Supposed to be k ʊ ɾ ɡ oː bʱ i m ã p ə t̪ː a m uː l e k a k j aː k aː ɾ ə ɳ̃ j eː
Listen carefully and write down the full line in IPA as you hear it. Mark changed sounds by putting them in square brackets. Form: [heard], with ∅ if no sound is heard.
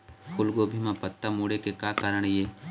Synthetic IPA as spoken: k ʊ [l] ɡ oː bʱ i m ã p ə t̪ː a m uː [ɽ] e k [e] k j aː k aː ɾ ə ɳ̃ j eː

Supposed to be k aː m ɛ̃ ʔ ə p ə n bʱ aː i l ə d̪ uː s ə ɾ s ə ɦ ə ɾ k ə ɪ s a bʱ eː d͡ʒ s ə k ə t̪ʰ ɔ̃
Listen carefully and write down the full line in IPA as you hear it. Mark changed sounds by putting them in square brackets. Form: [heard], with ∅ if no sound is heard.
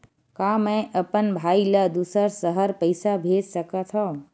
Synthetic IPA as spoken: k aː m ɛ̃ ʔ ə p ə n bʱ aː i l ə d̪ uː s ə ɾ s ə ɦ ə ɾ [p] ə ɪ s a bʱ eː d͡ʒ s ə k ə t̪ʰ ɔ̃

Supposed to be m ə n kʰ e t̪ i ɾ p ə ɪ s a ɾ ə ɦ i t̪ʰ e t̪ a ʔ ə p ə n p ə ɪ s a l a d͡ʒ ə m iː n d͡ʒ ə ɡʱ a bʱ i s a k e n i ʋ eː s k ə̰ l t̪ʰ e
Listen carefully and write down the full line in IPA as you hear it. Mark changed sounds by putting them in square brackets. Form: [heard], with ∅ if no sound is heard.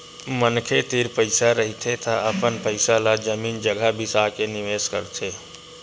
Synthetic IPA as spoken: m ə n kʰ e t̪ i ɾ p ə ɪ s a ɾ ə ɦ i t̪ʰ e t̪ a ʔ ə p ə n p ə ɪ s a l a d͡ʒ ə m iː n d͡ʒ ə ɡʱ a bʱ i s a k e n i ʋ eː s k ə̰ [ɾ] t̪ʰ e

